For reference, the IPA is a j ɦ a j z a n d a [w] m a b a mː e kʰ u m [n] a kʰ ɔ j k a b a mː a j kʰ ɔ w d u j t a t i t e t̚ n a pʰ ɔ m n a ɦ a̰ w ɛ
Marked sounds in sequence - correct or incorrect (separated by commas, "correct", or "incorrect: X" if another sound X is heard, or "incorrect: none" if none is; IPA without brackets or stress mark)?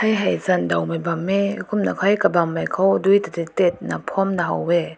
correct, correct